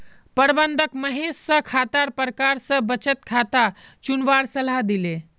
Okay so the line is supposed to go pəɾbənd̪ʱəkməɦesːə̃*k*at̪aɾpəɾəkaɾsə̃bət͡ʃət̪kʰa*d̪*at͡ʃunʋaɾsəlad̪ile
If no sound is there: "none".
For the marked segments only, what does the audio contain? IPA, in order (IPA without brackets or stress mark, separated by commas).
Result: kʰ, t̪